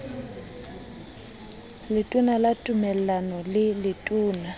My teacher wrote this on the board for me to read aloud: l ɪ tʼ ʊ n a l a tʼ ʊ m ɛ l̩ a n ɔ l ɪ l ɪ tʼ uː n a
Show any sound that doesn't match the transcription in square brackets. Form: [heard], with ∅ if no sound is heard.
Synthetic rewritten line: l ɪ tʼ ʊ n a l a tʼ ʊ m ɛ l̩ a n ɔ l ɪ l ɪ tʼ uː n a